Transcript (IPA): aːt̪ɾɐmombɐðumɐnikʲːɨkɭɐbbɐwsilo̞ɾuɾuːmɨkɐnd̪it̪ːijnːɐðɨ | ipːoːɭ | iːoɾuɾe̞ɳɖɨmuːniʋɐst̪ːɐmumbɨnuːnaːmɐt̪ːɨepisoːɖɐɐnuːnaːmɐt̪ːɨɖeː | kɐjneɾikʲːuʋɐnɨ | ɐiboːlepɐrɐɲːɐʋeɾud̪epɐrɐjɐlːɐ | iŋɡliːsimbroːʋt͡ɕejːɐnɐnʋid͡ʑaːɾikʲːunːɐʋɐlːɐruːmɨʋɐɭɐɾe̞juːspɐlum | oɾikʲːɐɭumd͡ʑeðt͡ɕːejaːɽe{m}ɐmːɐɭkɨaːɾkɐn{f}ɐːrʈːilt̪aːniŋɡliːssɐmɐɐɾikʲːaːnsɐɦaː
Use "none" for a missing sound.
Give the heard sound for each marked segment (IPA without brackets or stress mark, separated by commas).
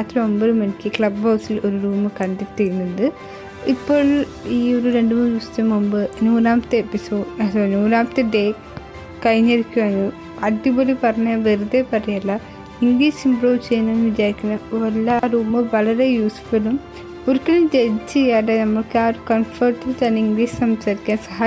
n, f